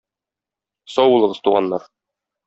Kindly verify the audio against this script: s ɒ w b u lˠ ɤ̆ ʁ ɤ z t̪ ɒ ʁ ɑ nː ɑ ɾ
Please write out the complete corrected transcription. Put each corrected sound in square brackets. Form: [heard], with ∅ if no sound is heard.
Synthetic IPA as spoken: s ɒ w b u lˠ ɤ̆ ʁ ɤ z t̪ [u] ʁ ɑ nː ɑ ɾ